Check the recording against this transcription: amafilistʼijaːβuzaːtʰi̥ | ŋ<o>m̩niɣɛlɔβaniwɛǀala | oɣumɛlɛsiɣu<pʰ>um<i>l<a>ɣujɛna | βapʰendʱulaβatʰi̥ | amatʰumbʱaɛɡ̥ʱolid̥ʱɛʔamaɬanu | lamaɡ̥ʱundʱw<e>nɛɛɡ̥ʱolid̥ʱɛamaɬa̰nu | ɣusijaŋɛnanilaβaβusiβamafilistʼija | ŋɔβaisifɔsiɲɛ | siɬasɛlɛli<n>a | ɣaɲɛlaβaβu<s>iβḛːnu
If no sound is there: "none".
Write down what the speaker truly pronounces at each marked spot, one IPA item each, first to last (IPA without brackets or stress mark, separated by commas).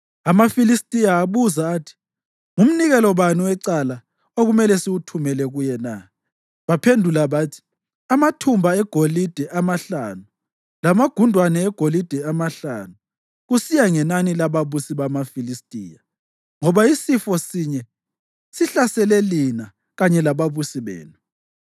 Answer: u, tʰ, ɛ, ɛ, a, n, s